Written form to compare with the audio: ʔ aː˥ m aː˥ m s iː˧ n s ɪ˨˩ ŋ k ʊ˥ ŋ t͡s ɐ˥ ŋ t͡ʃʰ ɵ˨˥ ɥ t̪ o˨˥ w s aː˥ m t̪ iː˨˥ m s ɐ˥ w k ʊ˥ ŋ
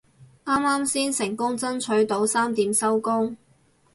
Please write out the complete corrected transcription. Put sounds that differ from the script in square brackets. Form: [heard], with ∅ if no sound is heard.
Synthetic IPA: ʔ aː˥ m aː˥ m s [iː˥] n s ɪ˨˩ ŋ k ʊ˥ ŋ t͡s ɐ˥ [n] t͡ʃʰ ɵ˨˥ ɥ t̪ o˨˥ w s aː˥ m t̪ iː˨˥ m s ɐ˥ w k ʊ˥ ŋ